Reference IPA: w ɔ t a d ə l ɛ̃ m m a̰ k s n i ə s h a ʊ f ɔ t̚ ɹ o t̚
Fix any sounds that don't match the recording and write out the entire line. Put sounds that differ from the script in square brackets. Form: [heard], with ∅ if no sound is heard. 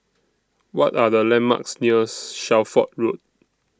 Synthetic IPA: w ɔ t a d ə l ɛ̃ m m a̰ k s n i ə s [ʃ] a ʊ f ɔ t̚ ɹ o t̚